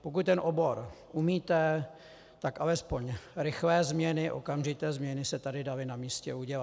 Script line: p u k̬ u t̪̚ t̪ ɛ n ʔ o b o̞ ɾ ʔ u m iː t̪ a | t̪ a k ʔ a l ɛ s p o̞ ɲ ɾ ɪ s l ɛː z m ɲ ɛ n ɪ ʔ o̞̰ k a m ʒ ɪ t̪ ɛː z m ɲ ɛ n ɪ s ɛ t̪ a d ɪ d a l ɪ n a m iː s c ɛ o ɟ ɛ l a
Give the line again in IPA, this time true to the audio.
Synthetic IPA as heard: p o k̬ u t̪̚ t̪ ɛ n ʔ o b o̞ ɾ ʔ u m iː t̪ ɛ | t̪ a k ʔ a l ɛ s p o̞ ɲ ɾ ɪ x l ɛː z m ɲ ɛ n ɪ ʔ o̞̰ k a m ʒ ɪ t̪ ɛː z m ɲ ɛ n ɪ s ɛ t̪ a d ɪ d a l ɪ n a m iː s c ɛ u ɟ ɛ l a